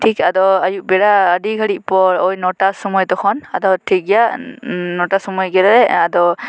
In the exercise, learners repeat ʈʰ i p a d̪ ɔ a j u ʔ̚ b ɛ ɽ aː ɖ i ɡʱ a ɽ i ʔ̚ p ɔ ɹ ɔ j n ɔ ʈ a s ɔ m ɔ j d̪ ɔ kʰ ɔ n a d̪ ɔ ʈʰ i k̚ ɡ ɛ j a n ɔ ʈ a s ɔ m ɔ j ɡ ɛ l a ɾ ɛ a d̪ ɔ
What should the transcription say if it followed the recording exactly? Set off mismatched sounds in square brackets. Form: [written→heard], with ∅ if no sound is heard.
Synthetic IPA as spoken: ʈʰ i [p→k] a d̪ ɔ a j u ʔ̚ b ɛ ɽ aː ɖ i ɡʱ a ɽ i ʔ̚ p ɔ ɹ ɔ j n ɔ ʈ a s ɔ m ɔ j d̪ ɔ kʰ ɔ n a d̪ ɔ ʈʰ i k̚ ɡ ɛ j a n ɔ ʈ a s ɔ m ɔ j ɡ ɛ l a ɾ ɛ a d̪ ɔ